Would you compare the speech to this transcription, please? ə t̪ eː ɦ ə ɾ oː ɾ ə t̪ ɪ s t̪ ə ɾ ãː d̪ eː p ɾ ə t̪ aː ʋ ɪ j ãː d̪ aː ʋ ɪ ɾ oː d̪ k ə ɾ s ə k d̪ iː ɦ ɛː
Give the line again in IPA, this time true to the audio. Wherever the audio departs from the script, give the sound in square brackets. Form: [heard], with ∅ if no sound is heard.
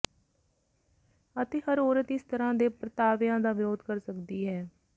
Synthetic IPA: ə t̪ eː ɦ ə ɾ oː ɾ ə t̪ ɪ s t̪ ə ɾ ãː d̪ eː p ɾ ə t̪ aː ʋ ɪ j ãː d̪ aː ʋ ɪ ɾ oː d̪ k ə ɾ s ə k d̪ iː ɦ ɛː